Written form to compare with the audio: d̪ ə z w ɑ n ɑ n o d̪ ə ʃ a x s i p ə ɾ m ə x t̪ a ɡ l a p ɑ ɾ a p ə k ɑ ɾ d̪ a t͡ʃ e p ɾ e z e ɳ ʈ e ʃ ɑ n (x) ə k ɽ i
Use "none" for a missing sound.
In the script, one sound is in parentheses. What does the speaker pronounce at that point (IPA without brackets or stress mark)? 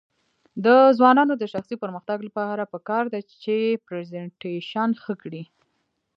x